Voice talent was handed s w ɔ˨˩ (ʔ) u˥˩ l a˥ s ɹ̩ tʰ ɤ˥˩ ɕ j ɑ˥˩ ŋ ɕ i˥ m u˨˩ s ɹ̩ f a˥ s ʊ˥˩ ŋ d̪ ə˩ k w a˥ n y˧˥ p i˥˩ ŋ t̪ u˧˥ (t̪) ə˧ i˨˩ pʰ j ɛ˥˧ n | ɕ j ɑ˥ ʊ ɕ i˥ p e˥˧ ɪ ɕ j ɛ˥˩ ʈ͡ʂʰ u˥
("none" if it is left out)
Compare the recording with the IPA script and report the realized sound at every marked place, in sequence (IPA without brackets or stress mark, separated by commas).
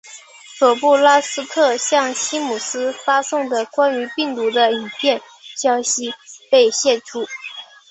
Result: p, d̪